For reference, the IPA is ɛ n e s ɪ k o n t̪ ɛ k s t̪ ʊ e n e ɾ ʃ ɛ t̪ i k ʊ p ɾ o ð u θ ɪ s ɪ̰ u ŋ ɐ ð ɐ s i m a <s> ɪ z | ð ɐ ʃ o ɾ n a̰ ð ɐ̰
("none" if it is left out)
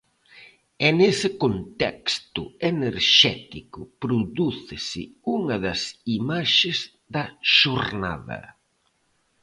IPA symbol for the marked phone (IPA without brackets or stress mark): ʃ